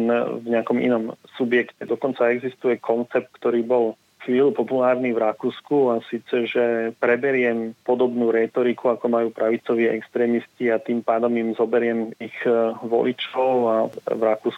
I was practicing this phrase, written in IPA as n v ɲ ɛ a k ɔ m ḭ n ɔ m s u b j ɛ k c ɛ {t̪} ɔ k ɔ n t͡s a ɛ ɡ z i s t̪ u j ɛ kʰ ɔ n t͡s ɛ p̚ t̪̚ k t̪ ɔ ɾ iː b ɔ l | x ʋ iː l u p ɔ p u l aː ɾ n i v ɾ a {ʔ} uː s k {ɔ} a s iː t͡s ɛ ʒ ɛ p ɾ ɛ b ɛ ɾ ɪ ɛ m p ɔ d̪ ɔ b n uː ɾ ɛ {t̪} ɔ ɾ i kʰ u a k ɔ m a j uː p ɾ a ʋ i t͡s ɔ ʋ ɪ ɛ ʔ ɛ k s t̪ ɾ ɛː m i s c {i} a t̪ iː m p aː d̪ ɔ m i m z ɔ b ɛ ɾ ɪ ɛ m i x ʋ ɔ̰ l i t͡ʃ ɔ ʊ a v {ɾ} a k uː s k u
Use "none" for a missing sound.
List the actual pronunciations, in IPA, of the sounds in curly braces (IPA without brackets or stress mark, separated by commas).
d̪, k, u, t̪, i, ɾ